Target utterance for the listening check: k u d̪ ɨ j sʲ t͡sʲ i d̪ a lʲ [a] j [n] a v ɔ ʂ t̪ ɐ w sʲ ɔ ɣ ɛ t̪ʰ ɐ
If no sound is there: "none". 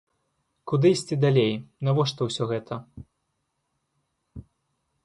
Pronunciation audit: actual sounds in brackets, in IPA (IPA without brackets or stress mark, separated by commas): e, n